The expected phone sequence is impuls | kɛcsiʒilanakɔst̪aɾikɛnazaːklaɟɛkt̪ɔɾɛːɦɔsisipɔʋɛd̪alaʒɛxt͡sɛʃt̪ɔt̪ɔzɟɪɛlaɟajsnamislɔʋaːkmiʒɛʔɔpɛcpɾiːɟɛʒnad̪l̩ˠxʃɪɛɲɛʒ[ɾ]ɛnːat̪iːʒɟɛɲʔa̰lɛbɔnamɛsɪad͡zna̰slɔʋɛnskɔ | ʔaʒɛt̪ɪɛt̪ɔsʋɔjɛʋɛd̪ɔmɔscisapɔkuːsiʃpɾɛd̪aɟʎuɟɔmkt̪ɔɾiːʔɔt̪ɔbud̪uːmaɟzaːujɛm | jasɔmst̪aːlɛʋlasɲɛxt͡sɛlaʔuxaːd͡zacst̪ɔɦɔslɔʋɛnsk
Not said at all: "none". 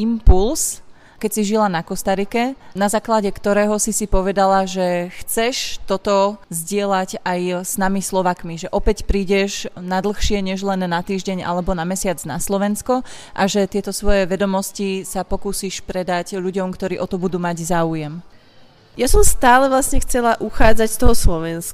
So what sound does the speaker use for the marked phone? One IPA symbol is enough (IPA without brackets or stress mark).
l